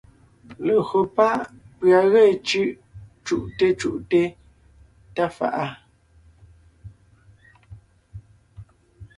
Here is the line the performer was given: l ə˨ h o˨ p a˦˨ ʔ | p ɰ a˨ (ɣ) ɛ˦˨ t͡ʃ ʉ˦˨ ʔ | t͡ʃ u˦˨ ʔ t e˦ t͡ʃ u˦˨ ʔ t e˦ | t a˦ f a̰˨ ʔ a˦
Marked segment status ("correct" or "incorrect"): correct